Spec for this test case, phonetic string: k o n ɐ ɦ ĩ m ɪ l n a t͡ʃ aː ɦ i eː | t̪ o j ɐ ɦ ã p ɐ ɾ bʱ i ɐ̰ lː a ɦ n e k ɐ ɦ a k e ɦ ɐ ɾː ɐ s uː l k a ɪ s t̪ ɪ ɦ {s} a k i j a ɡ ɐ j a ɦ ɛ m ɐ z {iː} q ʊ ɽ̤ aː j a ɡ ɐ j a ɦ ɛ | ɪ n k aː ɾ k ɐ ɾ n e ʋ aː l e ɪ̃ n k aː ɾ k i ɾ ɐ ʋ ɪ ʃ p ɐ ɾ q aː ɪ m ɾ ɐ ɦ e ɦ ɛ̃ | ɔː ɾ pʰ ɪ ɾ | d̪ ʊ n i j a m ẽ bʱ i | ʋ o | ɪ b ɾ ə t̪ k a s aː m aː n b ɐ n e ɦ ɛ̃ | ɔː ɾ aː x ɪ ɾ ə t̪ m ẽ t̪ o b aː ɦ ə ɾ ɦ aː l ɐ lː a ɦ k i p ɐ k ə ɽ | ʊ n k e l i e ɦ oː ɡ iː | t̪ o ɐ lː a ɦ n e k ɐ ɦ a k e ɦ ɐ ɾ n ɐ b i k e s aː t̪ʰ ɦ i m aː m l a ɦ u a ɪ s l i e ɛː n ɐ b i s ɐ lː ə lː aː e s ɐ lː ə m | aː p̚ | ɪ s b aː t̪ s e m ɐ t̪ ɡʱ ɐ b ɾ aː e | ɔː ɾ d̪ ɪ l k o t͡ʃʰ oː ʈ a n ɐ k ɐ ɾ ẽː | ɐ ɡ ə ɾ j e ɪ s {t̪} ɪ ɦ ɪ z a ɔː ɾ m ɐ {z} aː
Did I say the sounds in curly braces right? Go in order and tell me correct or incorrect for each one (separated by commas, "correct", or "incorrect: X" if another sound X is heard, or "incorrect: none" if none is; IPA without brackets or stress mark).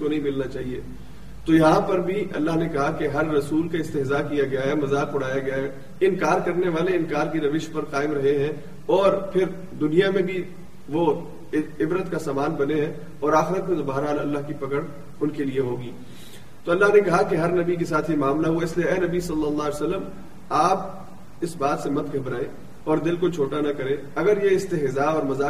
incorrect: z, incorrect: aː, correct, correct